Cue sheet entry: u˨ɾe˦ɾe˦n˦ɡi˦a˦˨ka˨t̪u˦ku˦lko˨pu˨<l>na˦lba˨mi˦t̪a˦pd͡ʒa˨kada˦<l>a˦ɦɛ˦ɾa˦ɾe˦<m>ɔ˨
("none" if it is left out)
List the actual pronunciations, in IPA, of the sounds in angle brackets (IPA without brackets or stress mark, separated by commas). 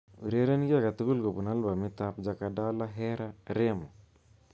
none, l, m